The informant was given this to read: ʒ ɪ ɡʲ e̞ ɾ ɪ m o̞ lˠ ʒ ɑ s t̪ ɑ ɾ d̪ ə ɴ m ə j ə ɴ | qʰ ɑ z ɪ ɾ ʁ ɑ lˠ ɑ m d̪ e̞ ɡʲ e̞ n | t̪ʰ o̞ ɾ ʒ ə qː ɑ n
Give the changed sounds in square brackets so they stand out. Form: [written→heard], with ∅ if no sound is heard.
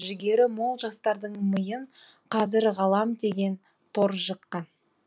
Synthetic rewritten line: ʒ ɪ ɡʲ e̞ ɾ ɪ m o̞ lˠ ʒ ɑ s t̪ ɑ ɾ d̪ ə ɴ m ə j ə ɴ | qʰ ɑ z ɪ ɾ ʁ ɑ lˠ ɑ m d̪ e̞ ɡʲ e̞ n | t̪ʰ o̞ ɾ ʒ ə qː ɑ n

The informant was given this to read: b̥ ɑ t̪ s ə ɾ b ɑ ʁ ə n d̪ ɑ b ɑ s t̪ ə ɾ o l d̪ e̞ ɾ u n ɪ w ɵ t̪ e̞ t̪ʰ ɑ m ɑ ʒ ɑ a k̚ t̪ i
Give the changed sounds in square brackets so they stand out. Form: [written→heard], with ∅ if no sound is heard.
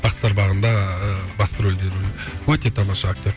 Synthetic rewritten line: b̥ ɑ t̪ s [ə→ɑ] ɾ b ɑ ʁ ə n d̪ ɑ b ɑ s t̪ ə ɾ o l d̪ e̞ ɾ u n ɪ w ɵ t̪ e̞ t̪ʰ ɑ m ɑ [ʒ→ʃ] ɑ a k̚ t̪ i

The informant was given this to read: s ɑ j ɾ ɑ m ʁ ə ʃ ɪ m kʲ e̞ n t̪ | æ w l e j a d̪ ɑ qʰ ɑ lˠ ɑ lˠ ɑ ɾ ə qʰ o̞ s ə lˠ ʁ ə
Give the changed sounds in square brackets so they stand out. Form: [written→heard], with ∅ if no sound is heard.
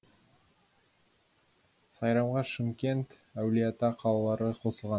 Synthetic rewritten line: s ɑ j ɾ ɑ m ʁ [ə→ɑ] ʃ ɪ m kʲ e̞ n t̪ | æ w l [e→i] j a [d̪→t̪] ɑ qʰ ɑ lˠ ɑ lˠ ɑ ɾ ə qʰ o̞ s ə lˠ ʁ [ə→ɑ]

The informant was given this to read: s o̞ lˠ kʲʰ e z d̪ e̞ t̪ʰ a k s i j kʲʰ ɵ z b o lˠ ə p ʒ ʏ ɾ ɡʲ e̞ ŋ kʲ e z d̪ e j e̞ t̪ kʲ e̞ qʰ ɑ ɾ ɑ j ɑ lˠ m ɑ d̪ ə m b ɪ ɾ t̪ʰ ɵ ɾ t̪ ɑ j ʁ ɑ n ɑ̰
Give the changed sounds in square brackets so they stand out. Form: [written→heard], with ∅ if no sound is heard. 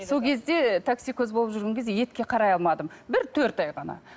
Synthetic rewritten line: s o̞ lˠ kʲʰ e z d̪ e̞ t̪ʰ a k s i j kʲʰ ɵ z b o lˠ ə p ʒ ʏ ɾ ɡʲ e̞ ŋ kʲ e z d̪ e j e̞ t̪ kʲ e̞ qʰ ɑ ɾ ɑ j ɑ lˠ m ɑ d̪ ə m b ɪ ɾ t̪ʰ ɵ ɾ t̪ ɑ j ʁ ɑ n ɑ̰

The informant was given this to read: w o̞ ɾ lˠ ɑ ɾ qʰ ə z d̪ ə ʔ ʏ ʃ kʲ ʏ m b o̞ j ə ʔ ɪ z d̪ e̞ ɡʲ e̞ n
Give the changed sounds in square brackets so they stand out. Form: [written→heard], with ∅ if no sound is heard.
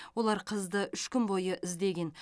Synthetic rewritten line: w o̞ [ɾ→∅] lˠ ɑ ɾ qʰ ə z d̪ ə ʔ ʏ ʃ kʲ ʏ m b o̞ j ə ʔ ɪ z d̪ e̞ ɡʲ e̞ n

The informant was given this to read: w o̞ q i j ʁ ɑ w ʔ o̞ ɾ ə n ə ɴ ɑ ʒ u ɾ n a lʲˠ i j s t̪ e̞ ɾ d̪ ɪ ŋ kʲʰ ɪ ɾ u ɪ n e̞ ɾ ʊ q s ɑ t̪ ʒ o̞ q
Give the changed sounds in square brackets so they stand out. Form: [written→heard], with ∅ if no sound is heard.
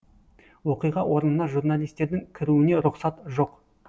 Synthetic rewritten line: w o̞ q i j ʁ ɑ w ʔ o̞ ɾ ə n ə [ɴ→n] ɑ ʒ u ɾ n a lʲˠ i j s t̪ e̞ ɾ d̪ ɪ ŋ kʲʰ ɪ ɾ u ɪ n e̞ ɾ ʊ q s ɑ t̪ ʒ o̞ q

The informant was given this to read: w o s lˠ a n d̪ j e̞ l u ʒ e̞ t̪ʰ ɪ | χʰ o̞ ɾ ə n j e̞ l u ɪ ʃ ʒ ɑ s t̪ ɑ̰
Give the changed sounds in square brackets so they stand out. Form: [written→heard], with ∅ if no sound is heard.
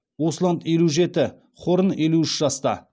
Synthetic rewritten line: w o s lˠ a n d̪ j e̞ l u ʒ e̞ [t̪ʰ→t̪] ɪ | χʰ o̞ ɾ ə n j e̞ l u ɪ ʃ ʒ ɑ s t̪ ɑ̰

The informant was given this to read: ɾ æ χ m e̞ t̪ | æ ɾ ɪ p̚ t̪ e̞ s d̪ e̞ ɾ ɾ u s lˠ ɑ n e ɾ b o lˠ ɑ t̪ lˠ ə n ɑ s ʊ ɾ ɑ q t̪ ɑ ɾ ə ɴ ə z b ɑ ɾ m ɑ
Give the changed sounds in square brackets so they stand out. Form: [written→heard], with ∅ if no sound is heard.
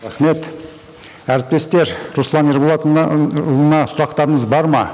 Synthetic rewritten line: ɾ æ χ m e̞ t̪ | æ ɾ ɪ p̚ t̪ e̞ s [d̪→t̪] e̞ ɾ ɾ u s lˠ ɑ n e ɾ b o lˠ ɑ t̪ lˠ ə n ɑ s ʊ ɾ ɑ q t̪ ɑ ɾ ə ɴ ə z b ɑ ɾ m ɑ

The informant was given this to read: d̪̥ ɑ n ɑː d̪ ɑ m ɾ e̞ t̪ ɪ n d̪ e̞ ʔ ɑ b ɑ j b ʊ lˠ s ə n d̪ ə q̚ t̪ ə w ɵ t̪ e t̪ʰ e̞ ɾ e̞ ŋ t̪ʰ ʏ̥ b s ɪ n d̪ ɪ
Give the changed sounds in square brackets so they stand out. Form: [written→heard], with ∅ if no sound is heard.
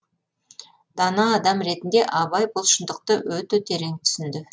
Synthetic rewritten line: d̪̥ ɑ n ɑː d̪ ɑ m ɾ e̞ t̪ ɪ n d̪ e̞ ʔ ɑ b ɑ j b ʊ lˠ [s→ʃ] ə n d̪ ə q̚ t̪ ə w ɵ t̪ e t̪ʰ e̞ ɾ e̞ ŋ t̪ʰ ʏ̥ [b→∅] s ɪ n d̪ ɪ

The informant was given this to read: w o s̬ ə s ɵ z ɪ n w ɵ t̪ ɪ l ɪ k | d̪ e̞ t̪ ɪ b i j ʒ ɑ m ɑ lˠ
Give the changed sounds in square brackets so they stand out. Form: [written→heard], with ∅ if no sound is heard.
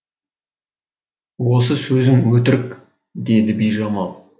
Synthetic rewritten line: w o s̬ ə s ɵ z ɪ [n→ŋ] w ɵ t̪ ɪ [l→ɾ] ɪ k | d̪ e̞ [t̪→d̪] ɪ b i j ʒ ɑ m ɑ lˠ

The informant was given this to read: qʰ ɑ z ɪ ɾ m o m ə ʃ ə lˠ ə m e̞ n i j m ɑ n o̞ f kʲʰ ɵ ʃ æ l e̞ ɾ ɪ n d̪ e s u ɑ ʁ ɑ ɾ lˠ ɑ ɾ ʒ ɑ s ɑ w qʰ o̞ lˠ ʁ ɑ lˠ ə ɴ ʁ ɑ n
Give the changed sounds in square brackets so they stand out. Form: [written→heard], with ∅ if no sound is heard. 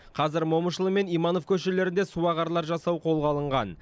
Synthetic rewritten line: qʰ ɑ z ɪ ɾ m o m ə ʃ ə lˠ ə m e̞ n i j m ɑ n o̞ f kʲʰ ɵ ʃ [æ→e] l e̞ ɾ ɪ n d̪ e s u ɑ ʁ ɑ ɾ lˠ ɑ ɾ ʒ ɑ s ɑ w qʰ o̞ lˠ ʁ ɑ lˠ ə ɴ ʁ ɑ n

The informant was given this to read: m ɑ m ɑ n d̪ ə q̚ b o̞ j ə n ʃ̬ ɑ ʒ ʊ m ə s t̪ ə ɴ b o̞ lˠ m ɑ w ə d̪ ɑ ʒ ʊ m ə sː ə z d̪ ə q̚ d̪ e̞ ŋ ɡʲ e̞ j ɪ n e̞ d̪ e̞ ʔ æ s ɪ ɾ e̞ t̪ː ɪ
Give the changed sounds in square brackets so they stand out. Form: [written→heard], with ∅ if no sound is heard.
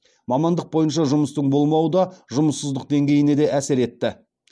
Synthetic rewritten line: m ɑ m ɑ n d̪ ə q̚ b o̞ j ə n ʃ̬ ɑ ʒ ʊ m ə s t̪ ə ɴ b o̞ lˠ m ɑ w ə d̪ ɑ ʒ ʊ m ə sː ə z d̪ ə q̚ d̪ e̞ ŋ ɡʲ e̞ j ɪ n e̞ d̪ e̞ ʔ æ s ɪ ɾ e̞ t̪ː ɪ

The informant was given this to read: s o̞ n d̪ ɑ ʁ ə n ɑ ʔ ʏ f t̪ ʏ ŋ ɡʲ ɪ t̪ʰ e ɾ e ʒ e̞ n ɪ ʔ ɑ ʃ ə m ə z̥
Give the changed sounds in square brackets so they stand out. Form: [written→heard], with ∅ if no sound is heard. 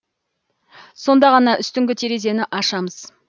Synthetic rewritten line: s o̞ n d̪ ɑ ʁ [ə→ɑ] n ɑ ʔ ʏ [f→s] t̪ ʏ ŋ ɡʲ ɪ t̪ʰ e ɾ e [ʒ→z] e̞ n ɪ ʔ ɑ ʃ [ə→ɑ] m ə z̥

